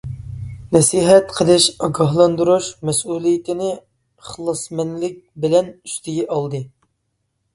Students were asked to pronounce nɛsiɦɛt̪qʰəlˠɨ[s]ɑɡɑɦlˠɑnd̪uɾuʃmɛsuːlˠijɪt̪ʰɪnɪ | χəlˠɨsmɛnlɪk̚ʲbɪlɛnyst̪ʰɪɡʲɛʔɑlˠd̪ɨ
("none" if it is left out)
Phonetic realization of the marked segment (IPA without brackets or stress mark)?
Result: ʃ